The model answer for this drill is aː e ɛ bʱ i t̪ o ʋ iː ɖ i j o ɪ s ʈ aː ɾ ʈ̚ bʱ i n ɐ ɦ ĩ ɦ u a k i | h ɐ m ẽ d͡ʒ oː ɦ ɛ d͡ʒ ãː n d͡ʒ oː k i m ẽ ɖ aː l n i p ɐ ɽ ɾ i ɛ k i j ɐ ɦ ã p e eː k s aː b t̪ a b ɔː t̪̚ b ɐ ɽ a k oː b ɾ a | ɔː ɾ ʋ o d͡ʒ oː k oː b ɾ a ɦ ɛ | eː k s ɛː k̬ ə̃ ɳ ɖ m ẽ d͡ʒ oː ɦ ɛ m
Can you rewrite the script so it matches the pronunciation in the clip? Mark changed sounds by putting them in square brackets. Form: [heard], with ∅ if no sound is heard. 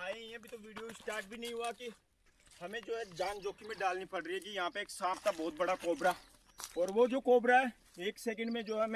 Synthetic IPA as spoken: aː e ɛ bʱ i t̪ o ʋ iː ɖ i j o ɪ s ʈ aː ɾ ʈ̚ bʱ i n ɐ ɦ ĩ ɦ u a k i | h ɐ m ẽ d͡ʒ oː ɦ ɛ d͡ʒ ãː n d͡ʒ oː k i m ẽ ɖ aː l n i p ɐ ɽ ɾ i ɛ k i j ɐ ɦ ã p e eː k s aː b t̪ a b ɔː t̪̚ b ɐ ɽ a k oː b ɾ a | ɔː ɾ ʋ o d͡ʒ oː k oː b ɾ a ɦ ɛ | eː k s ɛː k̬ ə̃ ɳ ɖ m ẽ d͡ʒ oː ɦ ɛ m